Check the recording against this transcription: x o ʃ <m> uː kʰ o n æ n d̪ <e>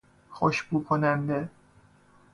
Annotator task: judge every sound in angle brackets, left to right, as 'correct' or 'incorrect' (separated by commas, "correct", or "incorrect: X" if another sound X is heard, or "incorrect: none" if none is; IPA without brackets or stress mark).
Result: incorrect: b, correct